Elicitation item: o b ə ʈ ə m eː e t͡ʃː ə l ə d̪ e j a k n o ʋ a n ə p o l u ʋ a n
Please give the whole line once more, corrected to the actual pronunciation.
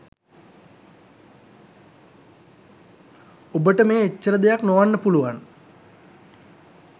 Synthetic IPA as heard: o b ə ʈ ə m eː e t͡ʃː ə ɾ ə d̪ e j a k n o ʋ a nː ə p u l u ʋ a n